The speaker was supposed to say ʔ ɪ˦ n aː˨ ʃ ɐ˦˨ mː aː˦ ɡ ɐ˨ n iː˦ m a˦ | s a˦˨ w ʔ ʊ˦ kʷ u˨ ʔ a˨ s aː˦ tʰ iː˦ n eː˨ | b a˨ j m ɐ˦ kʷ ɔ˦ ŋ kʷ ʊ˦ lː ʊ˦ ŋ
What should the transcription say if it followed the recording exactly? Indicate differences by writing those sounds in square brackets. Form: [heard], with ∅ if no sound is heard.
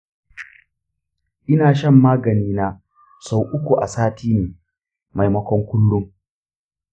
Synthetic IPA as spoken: ʔ ɪ˦ n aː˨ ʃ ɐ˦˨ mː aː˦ ɡ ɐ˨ n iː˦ [n] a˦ | s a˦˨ w ʔ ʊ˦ kʷ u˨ ʔ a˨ s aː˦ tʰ iː˦ n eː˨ | [m] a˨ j m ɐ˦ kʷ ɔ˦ ŋ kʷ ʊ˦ lː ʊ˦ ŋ